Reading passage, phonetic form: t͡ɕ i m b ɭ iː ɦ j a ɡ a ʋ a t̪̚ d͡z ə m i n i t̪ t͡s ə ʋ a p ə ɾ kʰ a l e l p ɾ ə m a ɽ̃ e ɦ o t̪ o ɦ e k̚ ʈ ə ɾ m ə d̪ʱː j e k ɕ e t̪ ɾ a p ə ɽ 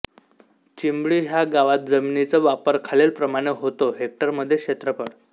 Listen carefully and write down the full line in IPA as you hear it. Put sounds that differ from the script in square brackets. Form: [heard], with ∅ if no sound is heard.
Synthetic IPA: t͡ɕ i m b ɭ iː ɦ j a ɡ a ʋ a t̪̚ d͡z ə m i n i [∅] t͡s ə ʋ a p ə ɾ kʰ a l e l p ɾ ə m a ɽ̃ e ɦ o t̪ o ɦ e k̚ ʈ ə ɾ m ə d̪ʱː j e k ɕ e t̪ ɾ [ə] p ə ɽ